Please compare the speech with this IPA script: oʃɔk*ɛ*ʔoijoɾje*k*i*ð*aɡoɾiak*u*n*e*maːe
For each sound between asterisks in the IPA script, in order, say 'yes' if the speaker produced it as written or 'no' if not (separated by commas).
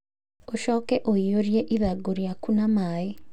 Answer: yes, no, yes, yes, no